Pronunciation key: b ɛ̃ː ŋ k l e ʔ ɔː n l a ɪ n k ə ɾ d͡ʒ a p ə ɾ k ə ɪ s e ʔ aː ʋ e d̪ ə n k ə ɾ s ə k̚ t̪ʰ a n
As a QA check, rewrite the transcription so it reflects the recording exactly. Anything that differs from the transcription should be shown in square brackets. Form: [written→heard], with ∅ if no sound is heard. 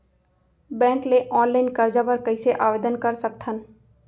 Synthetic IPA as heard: b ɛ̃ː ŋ k l e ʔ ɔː n l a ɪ n k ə ɾ d͡ʒ a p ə ɾ k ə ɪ s e ʔ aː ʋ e d̪ ə n k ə ɾ s ə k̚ t̪ʰ [a→ə] n